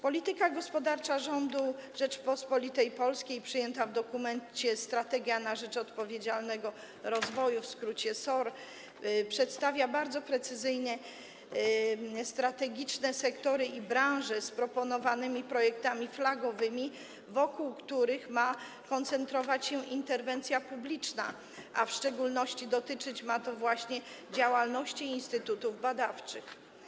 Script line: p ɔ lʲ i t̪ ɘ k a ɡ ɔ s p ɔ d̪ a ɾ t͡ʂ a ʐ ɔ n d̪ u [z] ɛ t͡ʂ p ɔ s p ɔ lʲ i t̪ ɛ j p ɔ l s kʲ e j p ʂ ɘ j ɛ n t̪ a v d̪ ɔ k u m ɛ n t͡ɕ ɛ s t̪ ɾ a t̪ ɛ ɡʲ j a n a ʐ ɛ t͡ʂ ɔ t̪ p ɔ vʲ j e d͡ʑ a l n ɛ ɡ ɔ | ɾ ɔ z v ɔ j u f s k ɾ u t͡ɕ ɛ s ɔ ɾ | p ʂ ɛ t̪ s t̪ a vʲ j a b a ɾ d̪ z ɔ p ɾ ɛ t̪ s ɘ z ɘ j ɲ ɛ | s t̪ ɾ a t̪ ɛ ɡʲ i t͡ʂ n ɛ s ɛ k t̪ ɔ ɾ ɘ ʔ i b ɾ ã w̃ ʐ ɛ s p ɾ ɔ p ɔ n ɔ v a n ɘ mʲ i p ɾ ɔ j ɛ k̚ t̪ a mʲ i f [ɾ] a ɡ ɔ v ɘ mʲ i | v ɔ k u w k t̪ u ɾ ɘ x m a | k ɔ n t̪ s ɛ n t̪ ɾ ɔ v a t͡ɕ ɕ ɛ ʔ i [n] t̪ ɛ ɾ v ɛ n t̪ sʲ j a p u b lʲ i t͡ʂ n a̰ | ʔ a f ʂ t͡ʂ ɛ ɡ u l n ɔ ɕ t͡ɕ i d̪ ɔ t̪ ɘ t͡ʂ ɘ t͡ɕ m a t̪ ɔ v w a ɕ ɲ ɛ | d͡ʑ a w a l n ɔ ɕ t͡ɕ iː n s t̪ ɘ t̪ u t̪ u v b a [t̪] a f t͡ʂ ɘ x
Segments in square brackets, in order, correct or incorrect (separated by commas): incorrect, incorrect, correct, incorrect